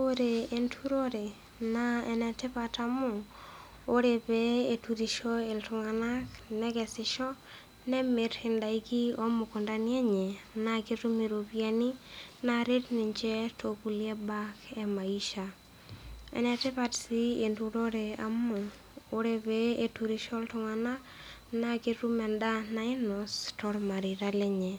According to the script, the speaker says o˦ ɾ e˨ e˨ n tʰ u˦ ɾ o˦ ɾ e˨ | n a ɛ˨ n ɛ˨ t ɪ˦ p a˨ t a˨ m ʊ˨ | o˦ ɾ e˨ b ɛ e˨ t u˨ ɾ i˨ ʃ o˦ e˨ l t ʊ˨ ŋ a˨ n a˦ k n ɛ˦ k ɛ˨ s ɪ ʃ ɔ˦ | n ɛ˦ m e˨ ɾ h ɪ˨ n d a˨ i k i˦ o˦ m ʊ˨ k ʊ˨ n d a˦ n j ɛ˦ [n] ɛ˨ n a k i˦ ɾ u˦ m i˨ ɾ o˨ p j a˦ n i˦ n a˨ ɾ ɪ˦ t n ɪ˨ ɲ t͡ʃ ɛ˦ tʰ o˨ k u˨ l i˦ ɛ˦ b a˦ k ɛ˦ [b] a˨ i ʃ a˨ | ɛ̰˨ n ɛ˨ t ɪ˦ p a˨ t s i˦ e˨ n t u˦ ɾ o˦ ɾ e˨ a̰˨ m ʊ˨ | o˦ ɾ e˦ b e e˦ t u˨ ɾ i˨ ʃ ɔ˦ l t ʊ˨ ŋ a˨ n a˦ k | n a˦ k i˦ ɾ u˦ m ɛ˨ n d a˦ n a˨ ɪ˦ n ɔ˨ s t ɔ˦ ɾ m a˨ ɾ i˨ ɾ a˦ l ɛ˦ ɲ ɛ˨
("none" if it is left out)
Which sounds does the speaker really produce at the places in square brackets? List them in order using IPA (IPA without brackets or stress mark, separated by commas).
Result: ɲ, m